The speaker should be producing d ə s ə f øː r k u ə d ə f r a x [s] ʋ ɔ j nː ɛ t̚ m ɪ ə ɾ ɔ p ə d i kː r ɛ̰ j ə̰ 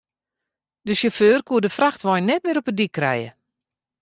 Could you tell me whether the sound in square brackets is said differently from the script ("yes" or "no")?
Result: yes